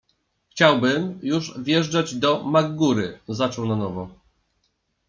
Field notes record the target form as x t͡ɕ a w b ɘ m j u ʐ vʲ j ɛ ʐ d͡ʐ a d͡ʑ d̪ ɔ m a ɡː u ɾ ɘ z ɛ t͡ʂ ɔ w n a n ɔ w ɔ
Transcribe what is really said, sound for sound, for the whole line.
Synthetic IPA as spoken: x t͡ɕ a w b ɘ m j u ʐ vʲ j ɛ ʐ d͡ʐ a d͡ʑ d̪ ɔ m a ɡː u ɾ ɘ z a t͡ʂ ɔ w n a n ɔ v ɔ